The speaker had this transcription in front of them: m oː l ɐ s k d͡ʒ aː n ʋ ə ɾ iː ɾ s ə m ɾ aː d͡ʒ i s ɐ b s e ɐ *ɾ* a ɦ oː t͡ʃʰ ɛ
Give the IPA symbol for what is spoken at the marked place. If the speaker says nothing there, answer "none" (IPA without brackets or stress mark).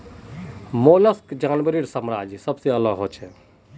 l